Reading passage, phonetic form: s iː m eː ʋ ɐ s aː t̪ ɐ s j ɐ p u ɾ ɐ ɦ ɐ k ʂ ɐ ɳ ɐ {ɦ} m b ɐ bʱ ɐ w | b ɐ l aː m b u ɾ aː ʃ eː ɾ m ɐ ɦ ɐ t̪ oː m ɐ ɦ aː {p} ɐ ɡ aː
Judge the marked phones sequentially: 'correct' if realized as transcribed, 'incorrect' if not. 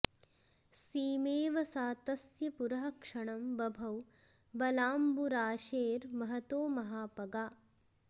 incorrect, correct

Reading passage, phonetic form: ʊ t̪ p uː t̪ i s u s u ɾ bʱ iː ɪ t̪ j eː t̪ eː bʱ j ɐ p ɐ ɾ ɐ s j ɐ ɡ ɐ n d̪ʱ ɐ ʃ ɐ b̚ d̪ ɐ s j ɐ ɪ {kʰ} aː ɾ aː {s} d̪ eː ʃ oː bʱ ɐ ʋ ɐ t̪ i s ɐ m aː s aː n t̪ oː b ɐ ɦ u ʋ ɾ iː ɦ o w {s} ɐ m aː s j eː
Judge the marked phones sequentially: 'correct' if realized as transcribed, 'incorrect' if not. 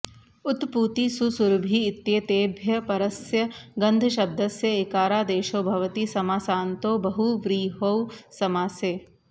incorrect, incorrect, correct

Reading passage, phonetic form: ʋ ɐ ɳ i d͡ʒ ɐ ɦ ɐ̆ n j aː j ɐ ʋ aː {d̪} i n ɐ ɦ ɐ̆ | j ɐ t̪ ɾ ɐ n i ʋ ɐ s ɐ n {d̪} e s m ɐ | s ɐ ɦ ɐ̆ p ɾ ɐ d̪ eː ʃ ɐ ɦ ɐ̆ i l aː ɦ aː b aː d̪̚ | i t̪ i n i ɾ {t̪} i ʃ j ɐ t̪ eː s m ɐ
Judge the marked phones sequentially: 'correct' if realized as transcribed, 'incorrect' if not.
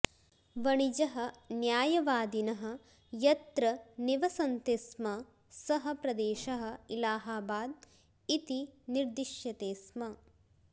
correct, incorrect, incorrect

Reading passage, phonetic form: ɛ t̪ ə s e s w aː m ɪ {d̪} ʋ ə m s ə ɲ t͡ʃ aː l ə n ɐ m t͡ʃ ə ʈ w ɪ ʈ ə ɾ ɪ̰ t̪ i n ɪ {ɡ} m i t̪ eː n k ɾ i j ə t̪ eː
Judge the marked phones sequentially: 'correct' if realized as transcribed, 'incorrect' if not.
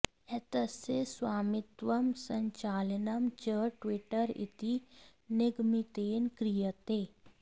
incorrect, correct

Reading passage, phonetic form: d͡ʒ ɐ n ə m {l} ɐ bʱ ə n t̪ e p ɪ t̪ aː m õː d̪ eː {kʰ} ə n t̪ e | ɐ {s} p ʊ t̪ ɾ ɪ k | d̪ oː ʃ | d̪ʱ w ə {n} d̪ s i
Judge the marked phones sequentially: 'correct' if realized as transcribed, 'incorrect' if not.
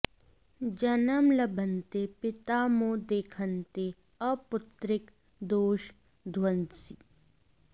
correct, correct, incorrect, correct

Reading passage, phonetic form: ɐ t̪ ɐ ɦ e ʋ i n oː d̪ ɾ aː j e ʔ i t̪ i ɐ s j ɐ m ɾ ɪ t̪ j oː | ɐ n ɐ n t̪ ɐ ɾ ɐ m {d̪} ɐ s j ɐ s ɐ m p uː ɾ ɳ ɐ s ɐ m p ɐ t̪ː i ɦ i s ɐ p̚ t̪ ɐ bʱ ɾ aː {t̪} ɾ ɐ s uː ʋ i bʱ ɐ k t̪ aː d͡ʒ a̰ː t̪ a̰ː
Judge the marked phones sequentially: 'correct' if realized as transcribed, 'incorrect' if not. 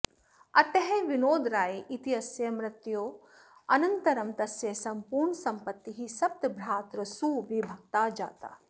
incorrect, correct

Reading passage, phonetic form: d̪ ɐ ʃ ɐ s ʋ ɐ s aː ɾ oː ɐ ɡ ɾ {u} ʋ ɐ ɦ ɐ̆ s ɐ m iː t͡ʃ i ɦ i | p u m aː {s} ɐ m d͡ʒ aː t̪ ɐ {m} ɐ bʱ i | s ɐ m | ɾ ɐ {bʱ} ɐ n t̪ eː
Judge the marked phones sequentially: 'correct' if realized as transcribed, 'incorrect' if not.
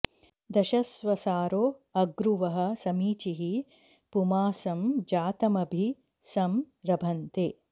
correct, correct, correct, correct

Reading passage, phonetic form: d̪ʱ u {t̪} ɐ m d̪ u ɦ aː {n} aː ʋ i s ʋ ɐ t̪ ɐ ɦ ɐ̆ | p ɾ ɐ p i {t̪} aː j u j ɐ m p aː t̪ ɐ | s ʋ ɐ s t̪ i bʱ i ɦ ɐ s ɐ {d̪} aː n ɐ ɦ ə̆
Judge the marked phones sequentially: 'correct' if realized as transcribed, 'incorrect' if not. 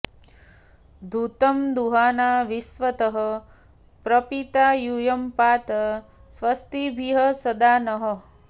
correct, correct, correct, correct

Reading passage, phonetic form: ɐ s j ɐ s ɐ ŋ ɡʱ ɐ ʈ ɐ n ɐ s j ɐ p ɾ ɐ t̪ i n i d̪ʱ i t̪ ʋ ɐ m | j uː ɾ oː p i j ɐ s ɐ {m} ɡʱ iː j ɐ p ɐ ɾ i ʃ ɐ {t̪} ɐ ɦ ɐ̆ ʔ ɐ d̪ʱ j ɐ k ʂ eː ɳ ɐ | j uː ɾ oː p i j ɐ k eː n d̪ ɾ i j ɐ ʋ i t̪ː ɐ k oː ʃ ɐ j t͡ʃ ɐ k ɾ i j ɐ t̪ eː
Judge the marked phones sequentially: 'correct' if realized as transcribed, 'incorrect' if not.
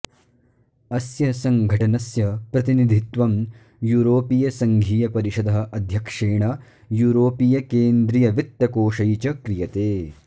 incorrect, incorrect

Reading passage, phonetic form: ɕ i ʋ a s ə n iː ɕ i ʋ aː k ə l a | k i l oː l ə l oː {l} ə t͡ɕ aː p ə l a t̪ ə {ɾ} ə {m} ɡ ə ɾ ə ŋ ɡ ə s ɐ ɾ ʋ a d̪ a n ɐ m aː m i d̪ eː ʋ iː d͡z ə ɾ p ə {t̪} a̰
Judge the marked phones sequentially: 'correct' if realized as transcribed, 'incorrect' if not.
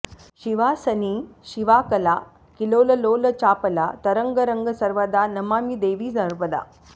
correct, correct, incorrect, incorrect

